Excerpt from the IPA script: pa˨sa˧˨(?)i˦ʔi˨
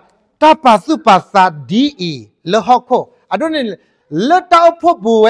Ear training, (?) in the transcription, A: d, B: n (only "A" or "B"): A